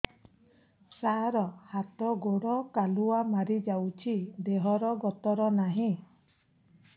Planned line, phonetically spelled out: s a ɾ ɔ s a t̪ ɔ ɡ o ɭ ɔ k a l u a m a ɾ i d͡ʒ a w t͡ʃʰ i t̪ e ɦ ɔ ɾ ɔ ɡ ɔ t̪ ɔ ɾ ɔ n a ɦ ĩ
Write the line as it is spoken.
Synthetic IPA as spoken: s a ɾ ɔ h a t̪ ɔ ɡ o ɽ ɔ k a l u a m a ɾ i d͡ʒ a w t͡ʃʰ i d̪ e ɦ ɔ ɾ ɔ ɡ ɔ t̪ ɔ ɾ ɔ n a ɦ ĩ